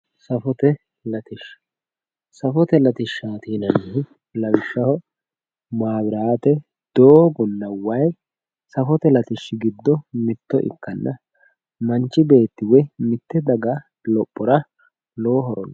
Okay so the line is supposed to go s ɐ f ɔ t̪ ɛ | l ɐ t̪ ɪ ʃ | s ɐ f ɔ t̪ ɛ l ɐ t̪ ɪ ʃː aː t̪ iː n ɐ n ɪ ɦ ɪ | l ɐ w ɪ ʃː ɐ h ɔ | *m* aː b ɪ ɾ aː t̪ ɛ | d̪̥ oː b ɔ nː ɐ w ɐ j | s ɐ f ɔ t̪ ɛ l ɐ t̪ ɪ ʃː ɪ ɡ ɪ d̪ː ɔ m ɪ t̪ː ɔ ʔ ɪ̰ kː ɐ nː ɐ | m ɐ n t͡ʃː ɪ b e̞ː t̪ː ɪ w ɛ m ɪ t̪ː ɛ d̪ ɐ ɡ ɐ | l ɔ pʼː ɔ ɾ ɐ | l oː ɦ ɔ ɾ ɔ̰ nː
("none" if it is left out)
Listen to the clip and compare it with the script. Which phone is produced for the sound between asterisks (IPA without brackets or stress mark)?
m